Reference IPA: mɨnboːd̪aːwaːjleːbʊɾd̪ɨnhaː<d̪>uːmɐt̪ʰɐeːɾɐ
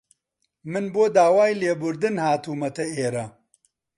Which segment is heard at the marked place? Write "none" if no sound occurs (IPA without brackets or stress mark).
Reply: t̪